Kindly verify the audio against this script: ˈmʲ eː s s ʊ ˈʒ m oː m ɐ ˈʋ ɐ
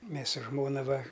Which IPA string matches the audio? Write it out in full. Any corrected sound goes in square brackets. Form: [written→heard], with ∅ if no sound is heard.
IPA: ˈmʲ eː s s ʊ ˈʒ m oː [m→n] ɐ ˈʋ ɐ